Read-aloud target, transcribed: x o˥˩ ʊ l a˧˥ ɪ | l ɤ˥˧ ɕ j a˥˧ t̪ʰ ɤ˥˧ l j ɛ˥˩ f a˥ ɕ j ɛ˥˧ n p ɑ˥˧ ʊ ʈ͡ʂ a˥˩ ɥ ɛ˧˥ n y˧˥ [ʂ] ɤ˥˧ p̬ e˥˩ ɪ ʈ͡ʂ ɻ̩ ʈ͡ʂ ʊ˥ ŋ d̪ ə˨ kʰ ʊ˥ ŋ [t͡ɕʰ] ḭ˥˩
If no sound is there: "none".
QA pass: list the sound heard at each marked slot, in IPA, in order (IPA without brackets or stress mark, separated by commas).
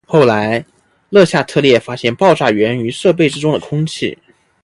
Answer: ʂ, t͡ɕʰ